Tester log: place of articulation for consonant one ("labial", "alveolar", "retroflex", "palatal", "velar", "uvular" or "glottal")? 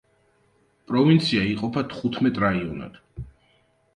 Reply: labial